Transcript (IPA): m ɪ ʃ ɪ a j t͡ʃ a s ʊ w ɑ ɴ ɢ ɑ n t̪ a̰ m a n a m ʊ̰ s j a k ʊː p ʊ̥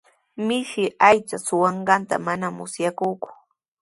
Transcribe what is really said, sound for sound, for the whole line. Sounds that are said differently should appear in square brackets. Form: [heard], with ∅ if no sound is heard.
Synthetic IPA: m ɪ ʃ ɪ a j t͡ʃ a s ʊ w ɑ ɴ ɢ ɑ n t̪ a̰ m a n a m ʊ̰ s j a k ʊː [k] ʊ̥